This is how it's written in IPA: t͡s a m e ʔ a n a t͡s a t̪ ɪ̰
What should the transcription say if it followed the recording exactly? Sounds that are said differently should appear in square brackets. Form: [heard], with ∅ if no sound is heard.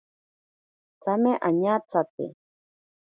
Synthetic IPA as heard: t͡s a m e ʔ a [ɲ] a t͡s a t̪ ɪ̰